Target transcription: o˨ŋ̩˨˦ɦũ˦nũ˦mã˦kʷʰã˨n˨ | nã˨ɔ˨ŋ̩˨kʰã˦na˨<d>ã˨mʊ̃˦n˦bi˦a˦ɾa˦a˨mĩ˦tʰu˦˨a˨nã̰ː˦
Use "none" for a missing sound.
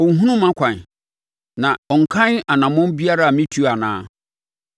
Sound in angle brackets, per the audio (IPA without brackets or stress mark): n